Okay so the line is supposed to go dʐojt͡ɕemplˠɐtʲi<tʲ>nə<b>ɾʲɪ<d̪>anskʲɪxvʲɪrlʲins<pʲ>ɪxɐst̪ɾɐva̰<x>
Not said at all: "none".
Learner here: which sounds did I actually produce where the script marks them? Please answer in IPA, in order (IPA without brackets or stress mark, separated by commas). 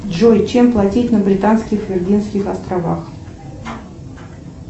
tʲ, b, t̪, kʲ, x